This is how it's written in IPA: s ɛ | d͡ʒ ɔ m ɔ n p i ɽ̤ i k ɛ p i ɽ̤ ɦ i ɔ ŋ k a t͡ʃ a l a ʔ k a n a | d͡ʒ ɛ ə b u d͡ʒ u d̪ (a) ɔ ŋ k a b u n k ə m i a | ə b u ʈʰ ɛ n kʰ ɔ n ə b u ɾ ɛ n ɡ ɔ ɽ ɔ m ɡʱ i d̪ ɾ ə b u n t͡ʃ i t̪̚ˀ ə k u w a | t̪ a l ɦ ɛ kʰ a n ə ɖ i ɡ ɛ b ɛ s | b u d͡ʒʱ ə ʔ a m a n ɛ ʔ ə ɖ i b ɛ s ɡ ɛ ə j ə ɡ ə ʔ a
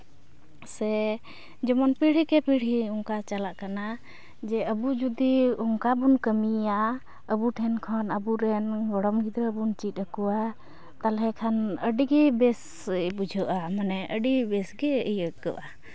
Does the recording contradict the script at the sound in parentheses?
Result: yes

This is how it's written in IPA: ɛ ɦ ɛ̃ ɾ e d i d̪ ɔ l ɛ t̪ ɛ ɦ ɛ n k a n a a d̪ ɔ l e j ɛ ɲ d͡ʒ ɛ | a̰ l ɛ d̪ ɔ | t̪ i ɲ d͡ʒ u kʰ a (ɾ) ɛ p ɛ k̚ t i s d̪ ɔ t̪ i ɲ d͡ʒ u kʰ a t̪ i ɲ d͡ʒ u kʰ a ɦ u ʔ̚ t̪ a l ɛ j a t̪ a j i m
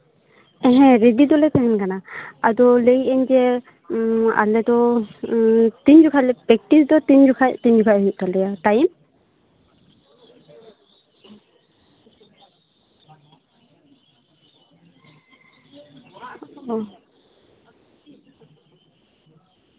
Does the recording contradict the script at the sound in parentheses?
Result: yes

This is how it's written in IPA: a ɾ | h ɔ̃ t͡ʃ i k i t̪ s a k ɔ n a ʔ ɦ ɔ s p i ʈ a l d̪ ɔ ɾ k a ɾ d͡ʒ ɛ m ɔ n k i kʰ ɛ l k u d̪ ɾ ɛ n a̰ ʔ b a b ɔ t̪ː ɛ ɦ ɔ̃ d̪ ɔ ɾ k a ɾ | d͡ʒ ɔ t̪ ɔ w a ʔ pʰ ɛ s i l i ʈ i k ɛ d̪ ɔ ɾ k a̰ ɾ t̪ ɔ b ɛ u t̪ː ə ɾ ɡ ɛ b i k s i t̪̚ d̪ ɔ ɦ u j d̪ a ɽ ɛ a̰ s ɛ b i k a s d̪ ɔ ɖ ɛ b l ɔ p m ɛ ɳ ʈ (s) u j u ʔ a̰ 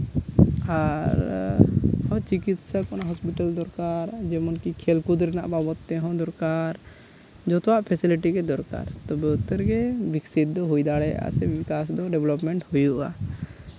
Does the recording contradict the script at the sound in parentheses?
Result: yes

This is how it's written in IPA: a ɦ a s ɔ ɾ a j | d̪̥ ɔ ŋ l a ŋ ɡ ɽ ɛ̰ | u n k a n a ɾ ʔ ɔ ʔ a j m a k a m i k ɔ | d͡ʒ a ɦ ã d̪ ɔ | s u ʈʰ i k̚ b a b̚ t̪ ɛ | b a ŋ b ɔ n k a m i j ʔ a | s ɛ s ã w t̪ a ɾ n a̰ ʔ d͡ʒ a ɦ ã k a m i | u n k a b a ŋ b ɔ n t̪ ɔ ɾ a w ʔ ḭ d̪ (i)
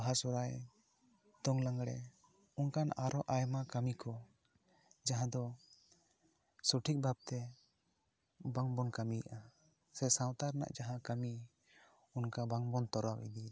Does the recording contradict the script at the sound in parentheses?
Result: no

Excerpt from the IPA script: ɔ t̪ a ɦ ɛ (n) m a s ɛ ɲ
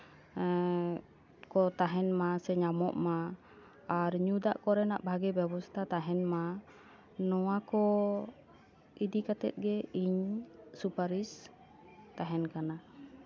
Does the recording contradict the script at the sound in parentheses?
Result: no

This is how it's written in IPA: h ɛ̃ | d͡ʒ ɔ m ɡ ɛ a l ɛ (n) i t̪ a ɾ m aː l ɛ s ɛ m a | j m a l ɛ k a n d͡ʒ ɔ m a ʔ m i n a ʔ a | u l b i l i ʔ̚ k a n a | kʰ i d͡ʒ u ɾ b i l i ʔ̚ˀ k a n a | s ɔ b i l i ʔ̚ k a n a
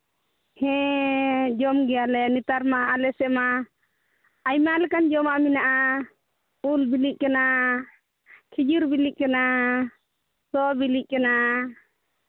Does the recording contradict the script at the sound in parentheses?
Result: no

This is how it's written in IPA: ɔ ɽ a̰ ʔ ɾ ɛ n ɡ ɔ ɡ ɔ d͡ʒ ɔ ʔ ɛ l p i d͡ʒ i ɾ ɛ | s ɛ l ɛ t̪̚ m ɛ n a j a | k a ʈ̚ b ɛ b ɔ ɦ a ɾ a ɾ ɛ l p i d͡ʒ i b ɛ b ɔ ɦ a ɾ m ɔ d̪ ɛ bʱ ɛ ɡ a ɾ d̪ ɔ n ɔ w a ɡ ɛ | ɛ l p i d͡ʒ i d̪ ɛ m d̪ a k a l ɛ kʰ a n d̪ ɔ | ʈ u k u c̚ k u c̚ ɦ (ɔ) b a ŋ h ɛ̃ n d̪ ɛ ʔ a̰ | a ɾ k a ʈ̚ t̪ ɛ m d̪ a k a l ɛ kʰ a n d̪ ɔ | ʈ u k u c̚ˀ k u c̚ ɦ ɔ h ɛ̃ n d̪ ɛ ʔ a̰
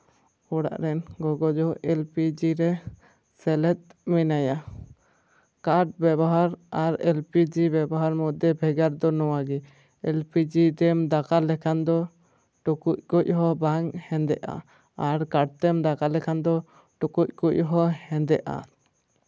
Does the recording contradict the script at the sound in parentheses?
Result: no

